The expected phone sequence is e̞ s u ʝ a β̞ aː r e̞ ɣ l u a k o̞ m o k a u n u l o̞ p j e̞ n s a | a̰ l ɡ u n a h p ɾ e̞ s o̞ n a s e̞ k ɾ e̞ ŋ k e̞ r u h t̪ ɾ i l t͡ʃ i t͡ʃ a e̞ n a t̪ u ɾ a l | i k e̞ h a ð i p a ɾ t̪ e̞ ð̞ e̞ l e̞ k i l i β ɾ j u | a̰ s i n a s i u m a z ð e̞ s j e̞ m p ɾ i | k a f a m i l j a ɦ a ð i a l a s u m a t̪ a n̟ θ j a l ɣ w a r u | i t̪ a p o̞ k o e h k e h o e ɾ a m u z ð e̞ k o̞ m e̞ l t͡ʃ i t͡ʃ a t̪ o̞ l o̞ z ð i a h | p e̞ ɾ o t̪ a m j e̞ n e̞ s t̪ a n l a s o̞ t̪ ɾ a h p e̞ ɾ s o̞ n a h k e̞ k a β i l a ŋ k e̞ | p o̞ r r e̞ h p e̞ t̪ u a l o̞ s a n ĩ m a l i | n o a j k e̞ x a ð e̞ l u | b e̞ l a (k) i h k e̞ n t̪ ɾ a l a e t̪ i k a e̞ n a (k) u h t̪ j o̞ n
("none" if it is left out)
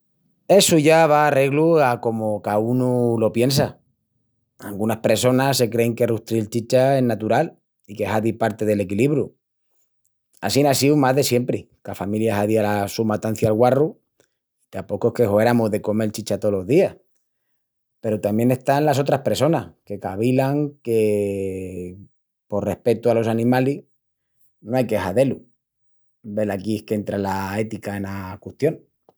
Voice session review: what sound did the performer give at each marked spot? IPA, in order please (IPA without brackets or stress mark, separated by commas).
k, k